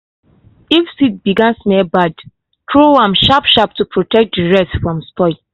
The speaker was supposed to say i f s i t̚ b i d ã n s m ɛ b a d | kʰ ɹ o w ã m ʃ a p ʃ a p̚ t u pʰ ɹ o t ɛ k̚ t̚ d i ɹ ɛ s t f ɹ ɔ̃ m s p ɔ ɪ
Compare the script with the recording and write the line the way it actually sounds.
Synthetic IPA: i f s i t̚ b i ɡ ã n s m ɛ b a d | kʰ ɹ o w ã m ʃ a p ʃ a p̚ t u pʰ ɹ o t ɛ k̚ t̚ d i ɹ ɛ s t f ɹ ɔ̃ m s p ɔ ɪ